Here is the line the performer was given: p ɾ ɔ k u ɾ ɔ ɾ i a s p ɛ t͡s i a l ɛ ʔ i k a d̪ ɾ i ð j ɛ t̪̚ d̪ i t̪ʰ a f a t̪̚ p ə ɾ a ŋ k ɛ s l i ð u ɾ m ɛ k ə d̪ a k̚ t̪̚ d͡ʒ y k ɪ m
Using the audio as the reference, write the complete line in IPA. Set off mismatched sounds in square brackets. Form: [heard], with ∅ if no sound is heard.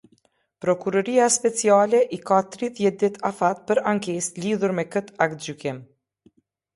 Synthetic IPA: p ɾ ɔ k u ɾ ɔ ɾ i a s p ɛ t͡s i a l ɛ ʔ i k a [t̪] ɾ i ð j ɛ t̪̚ d̪ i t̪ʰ a f a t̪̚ p ə ɾ a ŋ k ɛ s l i ð u ɾ m ɛ k ə [t̪] a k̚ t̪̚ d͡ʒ y k ɪ m